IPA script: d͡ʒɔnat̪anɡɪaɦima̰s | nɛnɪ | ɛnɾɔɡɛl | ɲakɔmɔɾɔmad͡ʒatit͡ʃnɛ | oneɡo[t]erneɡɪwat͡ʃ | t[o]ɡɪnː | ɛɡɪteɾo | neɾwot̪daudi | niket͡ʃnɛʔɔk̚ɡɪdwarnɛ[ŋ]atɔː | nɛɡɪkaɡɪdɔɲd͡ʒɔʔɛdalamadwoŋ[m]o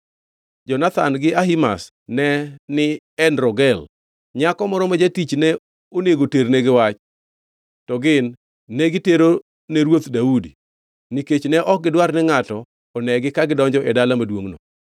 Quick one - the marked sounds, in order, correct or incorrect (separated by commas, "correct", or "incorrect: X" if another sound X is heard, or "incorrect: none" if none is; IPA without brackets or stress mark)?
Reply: correct, incorrect: ɔ, correct, incorrect: n